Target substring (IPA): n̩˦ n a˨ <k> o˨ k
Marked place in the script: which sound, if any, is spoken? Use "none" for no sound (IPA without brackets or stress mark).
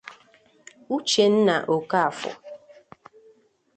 ʔ